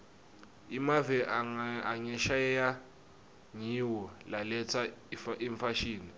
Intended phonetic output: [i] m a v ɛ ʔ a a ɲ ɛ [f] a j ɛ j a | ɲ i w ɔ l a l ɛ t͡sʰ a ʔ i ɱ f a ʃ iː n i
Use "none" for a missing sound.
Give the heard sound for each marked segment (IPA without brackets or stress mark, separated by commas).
i, ʃ